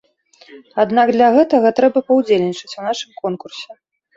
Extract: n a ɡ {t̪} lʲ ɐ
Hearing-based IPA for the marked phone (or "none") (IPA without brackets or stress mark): d̪